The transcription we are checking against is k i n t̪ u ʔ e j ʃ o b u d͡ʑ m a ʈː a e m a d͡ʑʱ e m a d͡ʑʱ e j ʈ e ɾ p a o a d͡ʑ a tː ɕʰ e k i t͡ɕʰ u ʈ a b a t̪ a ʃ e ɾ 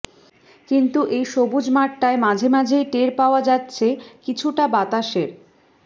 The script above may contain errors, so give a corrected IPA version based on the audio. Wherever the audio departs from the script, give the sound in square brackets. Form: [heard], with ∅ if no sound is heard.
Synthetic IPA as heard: k i n t̪ u ʔ e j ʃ o b u d͡ʑ m a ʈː a e m a d͡ʑʱ e m a d͡ʑʱ e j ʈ e ɾ p a o a d͡ʑ a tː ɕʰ e k i t͡ɕʰ u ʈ a b a t̪ a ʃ e ɾ